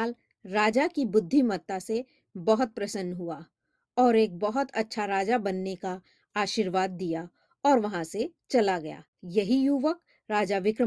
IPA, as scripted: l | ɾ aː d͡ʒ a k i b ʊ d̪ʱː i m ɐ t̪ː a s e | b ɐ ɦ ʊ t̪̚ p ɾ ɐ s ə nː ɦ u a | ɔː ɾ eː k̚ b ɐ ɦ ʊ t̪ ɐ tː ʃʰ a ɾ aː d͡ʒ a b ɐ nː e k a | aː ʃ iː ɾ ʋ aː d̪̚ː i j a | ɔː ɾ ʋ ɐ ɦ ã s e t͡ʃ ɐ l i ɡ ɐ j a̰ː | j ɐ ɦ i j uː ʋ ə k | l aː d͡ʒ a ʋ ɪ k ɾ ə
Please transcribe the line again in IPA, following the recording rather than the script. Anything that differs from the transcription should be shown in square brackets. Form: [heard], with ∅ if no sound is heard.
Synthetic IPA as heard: l | ɾ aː d͡ʒ a k i b ʊ d̪ʱː i m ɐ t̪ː a s e | b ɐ ɦ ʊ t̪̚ p ɾ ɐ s ə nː ɦ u a | ɔː ɾ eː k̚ b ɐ ɦ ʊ t̪ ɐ tː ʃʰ a ɾ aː d͡ʒ a b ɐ nː e k a | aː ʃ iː ɾ ʋ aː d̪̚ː i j a | ɔː ɾ ʋ ɐ ɦ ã s e t͡ʃ ɐ l [a] ɡ ɐ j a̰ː | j ɐ ɦ i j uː ʋ ə k | [ɾ] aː d͡ʒ a ʋ ɪ k ɾ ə